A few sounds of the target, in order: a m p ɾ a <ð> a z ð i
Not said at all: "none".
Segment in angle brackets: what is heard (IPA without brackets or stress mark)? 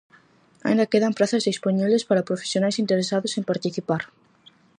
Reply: θ